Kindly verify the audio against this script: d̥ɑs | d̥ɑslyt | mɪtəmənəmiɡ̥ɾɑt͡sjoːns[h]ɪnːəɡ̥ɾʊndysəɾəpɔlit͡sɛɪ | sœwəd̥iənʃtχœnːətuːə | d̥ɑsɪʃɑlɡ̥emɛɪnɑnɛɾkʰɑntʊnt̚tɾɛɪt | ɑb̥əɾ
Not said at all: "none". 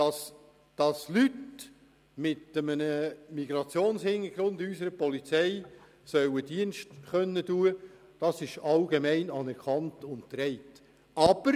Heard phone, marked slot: h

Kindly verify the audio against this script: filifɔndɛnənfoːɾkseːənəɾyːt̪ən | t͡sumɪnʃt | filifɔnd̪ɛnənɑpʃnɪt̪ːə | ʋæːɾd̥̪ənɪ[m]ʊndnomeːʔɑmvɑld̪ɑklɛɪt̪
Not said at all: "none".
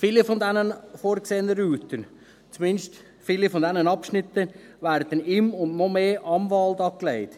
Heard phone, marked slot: m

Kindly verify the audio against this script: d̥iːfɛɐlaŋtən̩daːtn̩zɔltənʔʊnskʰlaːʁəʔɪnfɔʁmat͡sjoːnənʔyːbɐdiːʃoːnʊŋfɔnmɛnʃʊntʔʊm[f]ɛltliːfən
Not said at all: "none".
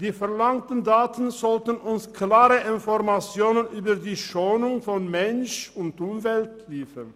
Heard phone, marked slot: v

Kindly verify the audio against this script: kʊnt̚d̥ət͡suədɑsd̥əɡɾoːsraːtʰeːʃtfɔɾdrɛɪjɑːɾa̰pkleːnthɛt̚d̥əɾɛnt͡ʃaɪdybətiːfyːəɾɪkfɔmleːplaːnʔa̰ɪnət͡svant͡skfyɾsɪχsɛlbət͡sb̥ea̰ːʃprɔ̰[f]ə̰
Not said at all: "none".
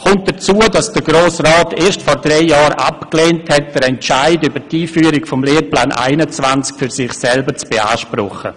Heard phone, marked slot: χ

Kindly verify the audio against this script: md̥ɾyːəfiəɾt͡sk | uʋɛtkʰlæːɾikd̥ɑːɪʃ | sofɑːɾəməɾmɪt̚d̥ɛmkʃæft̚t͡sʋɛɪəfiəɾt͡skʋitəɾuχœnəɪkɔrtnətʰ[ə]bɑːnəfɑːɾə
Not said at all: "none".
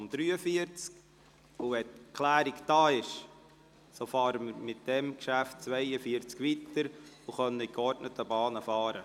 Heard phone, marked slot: ə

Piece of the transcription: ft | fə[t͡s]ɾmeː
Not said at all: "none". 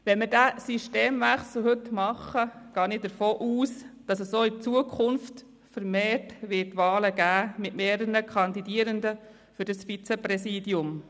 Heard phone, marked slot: none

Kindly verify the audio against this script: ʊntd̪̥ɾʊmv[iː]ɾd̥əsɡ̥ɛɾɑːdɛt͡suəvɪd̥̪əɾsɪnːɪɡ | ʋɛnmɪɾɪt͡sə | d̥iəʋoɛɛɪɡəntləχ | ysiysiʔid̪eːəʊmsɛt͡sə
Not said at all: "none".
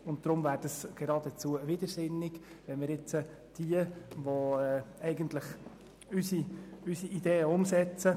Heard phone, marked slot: æː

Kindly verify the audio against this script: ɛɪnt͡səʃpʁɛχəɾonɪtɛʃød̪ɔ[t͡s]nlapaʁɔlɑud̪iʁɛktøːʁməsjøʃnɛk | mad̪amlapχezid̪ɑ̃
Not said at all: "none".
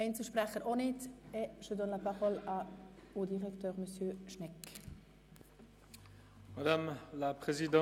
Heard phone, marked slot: none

